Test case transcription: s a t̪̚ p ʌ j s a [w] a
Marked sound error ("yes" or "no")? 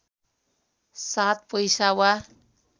no